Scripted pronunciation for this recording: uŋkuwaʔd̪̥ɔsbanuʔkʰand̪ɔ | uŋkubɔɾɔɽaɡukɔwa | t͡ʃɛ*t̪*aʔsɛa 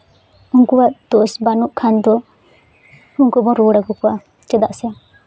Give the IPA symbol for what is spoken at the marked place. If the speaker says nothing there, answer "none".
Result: d̪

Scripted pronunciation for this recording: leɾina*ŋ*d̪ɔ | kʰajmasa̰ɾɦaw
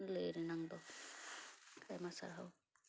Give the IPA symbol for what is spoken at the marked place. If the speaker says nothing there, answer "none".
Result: ŋ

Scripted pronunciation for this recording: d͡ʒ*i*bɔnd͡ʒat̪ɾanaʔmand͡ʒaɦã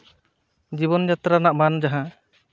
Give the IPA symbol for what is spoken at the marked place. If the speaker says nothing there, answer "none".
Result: i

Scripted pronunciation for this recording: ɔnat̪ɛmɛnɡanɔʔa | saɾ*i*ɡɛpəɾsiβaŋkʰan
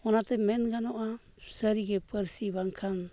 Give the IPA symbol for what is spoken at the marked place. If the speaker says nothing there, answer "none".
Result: i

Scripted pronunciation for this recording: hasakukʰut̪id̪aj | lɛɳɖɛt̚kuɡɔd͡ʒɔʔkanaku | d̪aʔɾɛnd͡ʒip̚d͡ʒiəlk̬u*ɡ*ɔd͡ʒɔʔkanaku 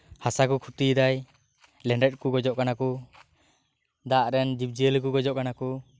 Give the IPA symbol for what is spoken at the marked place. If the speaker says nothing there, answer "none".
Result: ɡ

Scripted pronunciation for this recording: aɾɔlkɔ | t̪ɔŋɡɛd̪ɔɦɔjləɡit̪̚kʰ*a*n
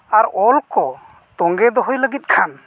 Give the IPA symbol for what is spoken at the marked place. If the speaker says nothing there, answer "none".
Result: a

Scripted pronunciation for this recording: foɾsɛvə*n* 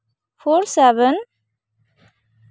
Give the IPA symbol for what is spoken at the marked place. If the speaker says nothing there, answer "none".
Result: n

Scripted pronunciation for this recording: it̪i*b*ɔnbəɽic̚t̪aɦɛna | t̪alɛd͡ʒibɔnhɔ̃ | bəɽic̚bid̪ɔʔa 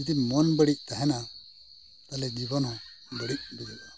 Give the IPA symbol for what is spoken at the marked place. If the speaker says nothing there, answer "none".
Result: m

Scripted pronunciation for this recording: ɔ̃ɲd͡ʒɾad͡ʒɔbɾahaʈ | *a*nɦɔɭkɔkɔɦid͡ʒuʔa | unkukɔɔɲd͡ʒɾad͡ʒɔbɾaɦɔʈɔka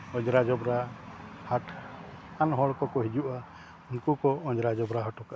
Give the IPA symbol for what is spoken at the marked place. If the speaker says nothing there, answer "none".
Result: a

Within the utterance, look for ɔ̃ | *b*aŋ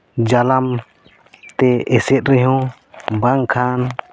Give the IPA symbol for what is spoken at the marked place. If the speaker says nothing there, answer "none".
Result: b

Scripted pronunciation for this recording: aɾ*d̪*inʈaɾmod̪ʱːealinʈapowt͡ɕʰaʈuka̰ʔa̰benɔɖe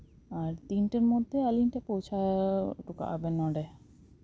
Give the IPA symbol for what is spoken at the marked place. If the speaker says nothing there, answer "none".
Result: t̪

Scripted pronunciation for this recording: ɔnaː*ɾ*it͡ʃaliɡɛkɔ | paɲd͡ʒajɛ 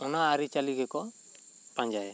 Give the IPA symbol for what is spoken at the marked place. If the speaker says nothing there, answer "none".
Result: ɾ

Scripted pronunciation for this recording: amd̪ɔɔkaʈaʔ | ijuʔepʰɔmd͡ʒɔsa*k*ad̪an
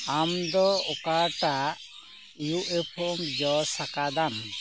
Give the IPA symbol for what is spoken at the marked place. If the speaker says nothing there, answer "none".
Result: k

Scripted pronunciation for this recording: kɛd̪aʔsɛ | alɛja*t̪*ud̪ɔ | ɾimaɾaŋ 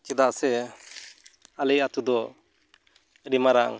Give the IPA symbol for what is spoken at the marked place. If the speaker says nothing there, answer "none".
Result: t̪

